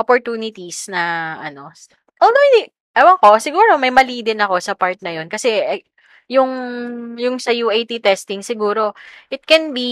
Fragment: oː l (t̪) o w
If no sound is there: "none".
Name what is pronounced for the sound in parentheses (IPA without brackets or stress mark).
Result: d̪